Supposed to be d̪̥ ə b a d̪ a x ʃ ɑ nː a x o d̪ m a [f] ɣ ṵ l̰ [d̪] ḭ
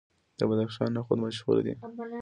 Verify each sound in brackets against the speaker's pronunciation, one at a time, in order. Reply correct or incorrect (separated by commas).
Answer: incorrect, correct